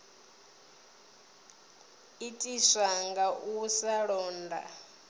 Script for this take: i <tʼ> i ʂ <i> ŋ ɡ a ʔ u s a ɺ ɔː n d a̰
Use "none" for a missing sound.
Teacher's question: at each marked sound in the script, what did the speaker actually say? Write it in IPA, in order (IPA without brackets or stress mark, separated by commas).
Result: tʼ, a